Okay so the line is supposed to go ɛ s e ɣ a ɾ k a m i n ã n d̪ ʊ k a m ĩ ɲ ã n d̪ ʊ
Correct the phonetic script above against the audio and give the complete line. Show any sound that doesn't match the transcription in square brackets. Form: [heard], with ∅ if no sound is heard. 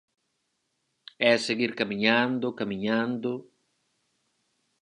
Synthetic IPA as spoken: ɛ s e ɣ [i] ɾ k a m i [ɲ] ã n d̪ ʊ k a m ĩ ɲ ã n d̪ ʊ

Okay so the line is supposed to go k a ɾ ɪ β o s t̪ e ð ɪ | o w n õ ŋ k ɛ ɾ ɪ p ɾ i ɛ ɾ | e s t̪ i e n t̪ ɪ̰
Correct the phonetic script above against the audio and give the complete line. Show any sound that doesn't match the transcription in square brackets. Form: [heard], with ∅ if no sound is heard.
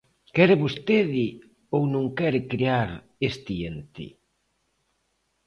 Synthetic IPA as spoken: k [ɛ] ɾ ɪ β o s t̪ e ð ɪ | o w n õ ŋ k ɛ ɾ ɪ [k] ɾ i [a] ɾ | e s t̪ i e n t̪ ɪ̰

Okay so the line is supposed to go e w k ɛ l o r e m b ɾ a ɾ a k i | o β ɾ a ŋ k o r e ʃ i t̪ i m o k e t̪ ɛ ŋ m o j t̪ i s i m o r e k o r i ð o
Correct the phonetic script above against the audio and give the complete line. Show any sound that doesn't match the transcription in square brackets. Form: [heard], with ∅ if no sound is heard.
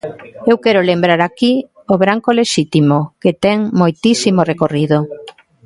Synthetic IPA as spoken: e w k ɛ [ɾ] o [l] e m b ɾ a ɾ a k i | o β ɾ a ŋ k o [l] e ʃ i t̪ i m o k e t̪ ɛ ŋ m o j t̪ i s i m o r e k o r i ð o

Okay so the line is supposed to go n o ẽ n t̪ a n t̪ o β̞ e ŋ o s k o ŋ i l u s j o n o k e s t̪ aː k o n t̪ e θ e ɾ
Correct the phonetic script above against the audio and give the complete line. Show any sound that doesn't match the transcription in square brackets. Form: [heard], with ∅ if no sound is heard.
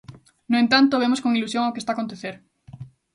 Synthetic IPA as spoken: n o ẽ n t̪ a n t̪ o β̞ e [m] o s k o ŋ i l u s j o [ŋ] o k e s t̪ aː k o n t̪ e θ e ɾ

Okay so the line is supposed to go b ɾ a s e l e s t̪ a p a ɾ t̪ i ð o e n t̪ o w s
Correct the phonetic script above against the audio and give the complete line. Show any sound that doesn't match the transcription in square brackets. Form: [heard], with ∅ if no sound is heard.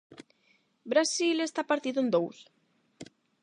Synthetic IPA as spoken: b ɾ a s [i] l e s t̪ a p a ɾ t̪ i ð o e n [d̪] o w s

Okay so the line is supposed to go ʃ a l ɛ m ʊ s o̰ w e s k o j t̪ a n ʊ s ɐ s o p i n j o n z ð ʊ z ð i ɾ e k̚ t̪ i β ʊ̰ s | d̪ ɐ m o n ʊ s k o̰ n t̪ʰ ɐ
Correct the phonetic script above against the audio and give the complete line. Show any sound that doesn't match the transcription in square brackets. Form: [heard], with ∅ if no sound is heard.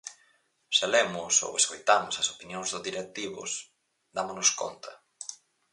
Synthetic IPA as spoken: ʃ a l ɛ m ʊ s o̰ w e s k o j t̪ a [m] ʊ s ɐ s o p i n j o [ŋ] z ð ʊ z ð i ɾ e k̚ t̪ i β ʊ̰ s | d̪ [a] m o n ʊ s k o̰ n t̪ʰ ɐ

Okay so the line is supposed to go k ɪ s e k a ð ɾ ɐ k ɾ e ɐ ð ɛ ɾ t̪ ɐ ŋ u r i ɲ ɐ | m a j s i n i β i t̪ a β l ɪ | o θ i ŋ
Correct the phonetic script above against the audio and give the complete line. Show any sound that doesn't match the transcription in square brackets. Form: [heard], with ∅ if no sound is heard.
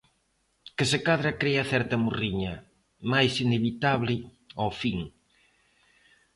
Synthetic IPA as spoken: k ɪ s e k a ð ɾ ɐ k ɾ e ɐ [θ] ɛ ɾ t̪ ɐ [m] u r i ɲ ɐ | m a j s i n [e] β i t̪ a β l ɪ | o [f] i ŋ

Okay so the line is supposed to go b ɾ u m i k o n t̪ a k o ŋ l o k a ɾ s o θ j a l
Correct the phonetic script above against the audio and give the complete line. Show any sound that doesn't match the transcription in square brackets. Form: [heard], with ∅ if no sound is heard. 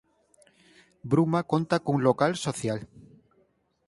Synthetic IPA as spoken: b ɾ u m [a] k o n t̪ a k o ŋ l o k a [l] s o θ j a l

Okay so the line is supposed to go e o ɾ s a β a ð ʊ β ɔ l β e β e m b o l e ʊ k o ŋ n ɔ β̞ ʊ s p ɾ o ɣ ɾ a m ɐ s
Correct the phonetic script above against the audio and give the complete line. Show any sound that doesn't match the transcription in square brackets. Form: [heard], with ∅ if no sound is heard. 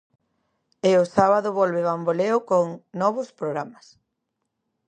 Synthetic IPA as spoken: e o [∅] s a β a ð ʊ β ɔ l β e β [a] m b o l e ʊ k o ŋ n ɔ β̞ ʊ s p ɾ o ɣ ɾ a m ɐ s

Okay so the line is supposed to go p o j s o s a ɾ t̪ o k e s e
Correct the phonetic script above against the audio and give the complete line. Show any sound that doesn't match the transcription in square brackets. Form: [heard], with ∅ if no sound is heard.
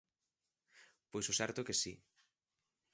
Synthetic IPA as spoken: p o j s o s [ɛ] ɾ t̪ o k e s [i]

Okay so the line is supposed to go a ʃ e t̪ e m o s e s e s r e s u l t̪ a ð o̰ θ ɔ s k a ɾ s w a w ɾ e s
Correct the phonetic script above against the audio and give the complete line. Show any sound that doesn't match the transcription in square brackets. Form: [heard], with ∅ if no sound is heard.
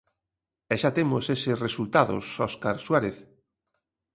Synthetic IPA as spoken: [ɛ] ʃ [a] t̪ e m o s e s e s r e s u l t̪ a ð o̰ [s] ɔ s k a ɾ s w a [∅] ɾ e [θ]

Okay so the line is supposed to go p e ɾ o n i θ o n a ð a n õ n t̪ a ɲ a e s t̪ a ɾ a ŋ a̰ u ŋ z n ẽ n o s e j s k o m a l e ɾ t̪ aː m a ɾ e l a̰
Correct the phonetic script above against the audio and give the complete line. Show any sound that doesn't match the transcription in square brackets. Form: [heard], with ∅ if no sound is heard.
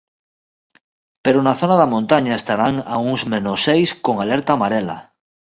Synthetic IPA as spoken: p e ɾ o n [a] θ o n a ð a [m] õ n t̪ a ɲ a e s t̪ a ɾ a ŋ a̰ u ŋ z [m] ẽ n o s e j s k o [ŋ] a l e ɾ t̪ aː m a ɾ e l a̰

